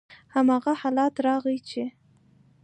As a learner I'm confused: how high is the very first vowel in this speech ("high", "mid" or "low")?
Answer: low